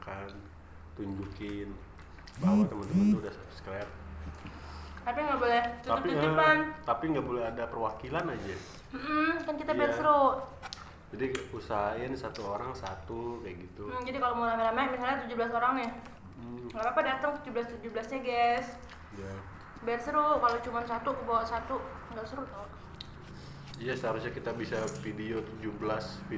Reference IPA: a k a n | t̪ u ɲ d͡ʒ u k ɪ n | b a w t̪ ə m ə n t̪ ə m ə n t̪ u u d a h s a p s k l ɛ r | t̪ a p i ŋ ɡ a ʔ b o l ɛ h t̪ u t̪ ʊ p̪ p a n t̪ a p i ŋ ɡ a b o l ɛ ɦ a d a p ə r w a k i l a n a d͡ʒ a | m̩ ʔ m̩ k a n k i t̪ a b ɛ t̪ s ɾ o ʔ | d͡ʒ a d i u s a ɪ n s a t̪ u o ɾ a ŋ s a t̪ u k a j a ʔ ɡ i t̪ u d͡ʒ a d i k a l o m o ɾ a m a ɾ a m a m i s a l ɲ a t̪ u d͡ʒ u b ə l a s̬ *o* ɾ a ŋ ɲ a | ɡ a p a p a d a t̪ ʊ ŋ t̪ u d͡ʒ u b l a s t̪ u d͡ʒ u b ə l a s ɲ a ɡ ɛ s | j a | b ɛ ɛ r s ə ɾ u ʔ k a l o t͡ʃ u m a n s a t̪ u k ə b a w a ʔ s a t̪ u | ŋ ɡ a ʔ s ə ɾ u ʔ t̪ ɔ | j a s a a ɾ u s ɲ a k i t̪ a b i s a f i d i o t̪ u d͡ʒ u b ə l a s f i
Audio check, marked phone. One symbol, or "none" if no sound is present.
o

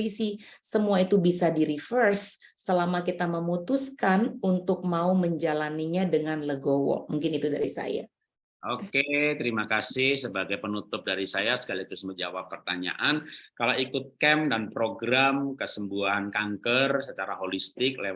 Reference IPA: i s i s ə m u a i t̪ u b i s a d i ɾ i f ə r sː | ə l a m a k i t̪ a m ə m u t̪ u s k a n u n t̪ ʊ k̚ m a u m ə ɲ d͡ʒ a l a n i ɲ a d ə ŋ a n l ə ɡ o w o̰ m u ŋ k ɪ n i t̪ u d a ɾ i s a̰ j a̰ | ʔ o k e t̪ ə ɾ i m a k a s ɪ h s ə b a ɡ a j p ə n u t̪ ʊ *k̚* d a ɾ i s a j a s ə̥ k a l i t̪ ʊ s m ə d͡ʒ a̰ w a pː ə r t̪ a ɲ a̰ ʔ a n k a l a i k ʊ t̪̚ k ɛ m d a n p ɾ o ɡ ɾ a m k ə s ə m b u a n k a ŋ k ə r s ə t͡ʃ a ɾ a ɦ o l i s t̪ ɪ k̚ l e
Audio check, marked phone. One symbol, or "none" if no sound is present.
p̚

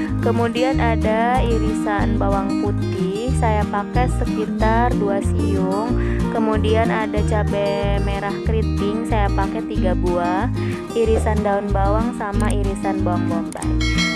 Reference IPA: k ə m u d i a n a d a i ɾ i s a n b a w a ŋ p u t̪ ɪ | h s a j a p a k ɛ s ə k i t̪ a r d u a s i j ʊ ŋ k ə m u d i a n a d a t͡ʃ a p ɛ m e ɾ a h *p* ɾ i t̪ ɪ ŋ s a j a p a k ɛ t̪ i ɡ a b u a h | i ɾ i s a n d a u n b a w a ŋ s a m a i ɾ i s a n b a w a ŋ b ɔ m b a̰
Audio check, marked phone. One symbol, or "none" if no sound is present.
k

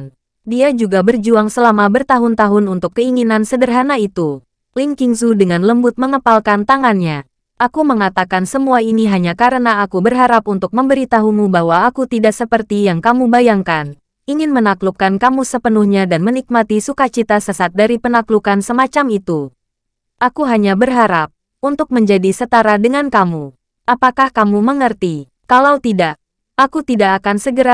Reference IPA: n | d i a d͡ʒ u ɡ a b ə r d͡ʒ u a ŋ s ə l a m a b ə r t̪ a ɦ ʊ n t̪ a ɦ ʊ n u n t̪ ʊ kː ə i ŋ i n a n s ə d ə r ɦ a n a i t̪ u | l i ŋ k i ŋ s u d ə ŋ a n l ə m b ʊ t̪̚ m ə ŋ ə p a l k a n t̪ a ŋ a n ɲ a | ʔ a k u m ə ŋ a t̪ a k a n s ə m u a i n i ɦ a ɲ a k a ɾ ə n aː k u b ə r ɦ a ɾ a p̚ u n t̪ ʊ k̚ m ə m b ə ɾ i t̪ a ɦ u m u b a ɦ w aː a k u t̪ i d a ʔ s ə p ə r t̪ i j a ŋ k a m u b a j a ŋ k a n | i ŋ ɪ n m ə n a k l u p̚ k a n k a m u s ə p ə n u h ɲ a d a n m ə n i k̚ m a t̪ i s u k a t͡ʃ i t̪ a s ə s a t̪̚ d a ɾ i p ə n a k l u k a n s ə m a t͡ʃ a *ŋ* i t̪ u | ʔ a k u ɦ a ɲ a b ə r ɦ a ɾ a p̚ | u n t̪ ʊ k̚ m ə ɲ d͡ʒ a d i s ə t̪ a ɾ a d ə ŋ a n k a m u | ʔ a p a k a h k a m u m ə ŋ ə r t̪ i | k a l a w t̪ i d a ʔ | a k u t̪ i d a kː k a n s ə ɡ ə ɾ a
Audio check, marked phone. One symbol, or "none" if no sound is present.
m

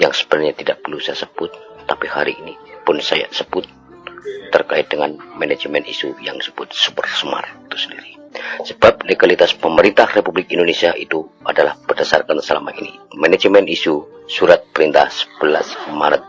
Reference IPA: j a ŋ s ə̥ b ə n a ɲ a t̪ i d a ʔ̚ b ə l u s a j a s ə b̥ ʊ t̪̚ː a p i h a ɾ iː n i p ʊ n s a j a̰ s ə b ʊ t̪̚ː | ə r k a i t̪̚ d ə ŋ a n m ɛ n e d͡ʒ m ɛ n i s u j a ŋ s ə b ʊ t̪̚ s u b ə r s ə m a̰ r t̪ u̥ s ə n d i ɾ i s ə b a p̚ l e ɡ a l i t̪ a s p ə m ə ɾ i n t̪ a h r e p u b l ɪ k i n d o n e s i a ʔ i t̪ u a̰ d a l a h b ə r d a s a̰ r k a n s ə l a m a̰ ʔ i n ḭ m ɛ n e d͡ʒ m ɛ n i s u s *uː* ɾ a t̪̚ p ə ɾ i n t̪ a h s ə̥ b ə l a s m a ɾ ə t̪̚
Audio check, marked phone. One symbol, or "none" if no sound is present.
u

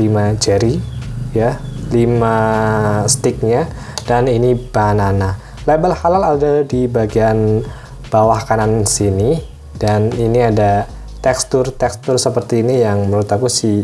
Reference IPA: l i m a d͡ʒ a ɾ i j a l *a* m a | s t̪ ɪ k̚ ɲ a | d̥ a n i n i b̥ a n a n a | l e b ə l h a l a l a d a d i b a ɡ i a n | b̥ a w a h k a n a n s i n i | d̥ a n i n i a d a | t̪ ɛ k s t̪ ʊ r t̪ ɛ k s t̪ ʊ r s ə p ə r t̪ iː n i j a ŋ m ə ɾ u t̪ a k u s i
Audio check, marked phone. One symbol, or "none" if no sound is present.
i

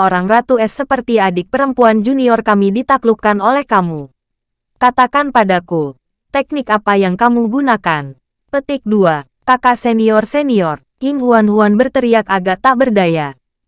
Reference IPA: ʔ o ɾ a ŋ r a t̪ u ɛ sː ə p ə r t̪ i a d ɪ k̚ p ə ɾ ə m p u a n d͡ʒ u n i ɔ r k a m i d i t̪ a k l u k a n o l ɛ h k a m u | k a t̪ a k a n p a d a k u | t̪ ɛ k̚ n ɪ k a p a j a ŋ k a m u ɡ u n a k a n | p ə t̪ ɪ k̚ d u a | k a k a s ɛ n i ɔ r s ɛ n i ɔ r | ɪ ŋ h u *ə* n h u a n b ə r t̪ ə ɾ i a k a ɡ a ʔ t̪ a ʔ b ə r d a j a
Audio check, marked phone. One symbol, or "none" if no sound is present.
a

